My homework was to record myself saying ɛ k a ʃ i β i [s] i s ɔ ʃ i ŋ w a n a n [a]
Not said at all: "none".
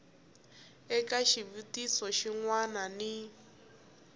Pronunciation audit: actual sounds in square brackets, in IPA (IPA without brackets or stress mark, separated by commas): t, i